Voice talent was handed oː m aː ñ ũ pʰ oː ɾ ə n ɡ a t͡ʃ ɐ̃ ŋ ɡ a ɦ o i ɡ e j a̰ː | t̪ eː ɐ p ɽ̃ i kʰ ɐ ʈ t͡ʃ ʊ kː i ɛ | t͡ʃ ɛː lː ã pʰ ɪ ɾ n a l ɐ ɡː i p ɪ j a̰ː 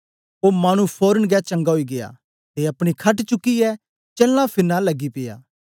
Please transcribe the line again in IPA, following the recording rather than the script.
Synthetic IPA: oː m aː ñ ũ pʰ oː ɾ ə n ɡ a t͡ʃ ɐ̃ ŋ ɡ a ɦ o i ɡ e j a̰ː | t̪ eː ɐ p ɽ̃ i kʰ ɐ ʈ t͡ʃ ʊ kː i ɛ | t͡ʃ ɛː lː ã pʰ ɪ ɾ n a l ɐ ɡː i p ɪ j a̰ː